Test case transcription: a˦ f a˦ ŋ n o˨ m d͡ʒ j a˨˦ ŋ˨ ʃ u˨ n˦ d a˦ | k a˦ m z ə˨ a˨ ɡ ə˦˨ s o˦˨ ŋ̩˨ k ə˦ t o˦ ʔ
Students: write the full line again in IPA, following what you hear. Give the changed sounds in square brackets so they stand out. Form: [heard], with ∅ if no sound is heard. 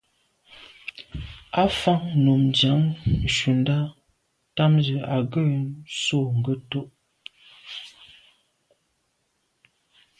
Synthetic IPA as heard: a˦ f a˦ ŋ n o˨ m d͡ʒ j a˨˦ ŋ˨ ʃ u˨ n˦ d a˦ | [t] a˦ m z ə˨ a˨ ɡ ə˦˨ s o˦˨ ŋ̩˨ [ɡ] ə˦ t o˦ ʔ

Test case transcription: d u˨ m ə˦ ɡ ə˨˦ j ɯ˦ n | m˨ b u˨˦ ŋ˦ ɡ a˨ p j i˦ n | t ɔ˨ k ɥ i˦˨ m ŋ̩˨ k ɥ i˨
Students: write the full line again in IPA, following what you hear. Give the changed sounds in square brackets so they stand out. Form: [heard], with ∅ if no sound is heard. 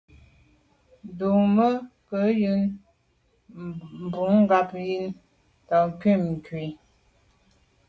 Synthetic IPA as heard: d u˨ m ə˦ [k] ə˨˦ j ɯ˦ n | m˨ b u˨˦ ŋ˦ ɡ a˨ p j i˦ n | t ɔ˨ k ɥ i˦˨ m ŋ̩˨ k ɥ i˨

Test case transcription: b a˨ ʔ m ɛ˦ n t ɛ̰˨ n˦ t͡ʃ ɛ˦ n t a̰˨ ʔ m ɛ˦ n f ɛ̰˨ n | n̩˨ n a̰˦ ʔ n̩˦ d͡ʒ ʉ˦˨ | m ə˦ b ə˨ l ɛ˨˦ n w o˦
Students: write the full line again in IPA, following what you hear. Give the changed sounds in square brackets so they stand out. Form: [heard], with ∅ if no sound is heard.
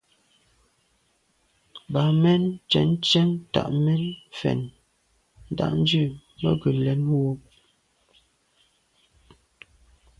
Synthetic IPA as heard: b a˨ [∅] m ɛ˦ n [t͡ʃ] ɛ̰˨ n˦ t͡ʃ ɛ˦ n t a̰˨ ʔ m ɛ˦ n f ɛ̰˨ n | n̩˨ [d] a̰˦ ʔ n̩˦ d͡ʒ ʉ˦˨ | m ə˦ [ɡ] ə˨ l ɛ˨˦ n w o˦

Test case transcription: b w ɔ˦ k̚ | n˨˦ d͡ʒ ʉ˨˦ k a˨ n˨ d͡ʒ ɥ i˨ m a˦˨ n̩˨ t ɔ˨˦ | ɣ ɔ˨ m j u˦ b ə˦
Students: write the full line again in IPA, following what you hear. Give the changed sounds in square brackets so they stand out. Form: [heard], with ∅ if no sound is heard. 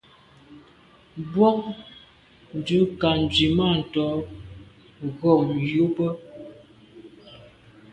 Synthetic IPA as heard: b w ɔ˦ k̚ | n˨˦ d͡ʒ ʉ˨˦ k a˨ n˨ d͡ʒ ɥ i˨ m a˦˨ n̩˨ t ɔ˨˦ | ɣ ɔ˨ m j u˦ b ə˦

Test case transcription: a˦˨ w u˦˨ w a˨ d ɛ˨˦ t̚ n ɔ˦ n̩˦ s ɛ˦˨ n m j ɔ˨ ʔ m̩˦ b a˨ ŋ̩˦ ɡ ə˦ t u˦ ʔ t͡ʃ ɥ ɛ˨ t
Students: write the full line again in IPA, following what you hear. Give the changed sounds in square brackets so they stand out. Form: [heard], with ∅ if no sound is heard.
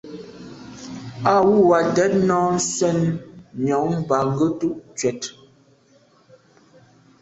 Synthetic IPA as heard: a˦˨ w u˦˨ w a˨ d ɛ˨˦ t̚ n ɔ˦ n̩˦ s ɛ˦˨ n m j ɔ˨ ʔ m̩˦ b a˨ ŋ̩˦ ɡ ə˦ t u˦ ʔ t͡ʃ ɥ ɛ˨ t

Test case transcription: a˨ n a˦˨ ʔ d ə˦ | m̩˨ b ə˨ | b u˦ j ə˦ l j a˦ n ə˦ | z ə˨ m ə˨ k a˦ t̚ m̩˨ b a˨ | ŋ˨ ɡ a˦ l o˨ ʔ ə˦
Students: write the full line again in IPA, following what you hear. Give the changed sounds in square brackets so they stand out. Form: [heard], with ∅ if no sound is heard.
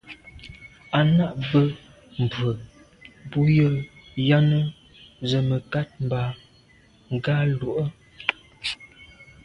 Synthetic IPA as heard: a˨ n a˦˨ ʔ [b] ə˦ | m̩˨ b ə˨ | b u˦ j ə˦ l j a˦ n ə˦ | z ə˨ m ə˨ k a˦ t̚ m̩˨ b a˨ | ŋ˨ ɡ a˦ l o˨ ʔ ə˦

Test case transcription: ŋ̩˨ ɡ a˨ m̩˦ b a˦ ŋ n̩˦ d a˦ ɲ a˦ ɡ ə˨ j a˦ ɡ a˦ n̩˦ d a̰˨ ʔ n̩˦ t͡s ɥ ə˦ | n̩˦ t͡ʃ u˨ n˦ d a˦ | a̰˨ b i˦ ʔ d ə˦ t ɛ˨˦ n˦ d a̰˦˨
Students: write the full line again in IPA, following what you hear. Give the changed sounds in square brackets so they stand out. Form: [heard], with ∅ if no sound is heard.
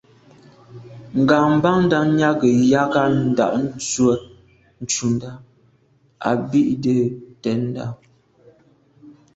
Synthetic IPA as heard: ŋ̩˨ ɡ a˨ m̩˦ b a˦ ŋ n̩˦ d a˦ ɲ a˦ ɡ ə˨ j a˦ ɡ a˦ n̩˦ d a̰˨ ʔ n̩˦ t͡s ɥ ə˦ | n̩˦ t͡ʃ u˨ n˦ d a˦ | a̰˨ b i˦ ʔ d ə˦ t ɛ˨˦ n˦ d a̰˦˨

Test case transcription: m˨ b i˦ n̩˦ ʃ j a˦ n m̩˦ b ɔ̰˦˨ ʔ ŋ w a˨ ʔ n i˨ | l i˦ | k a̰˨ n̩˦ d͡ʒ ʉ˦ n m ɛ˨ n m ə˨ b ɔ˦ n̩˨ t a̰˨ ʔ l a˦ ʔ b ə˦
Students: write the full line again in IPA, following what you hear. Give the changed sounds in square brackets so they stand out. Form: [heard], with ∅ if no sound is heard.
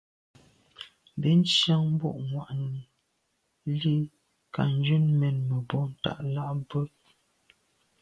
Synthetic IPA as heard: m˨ b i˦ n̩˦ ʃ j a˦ [ŋ] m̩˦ b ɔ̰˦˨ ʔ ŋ w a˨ ʔ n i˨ | l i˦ | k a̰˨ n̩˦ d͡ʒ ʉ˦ n m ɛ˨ n m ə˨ b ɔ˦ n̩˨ t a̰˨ ʔ l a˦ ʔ b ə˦

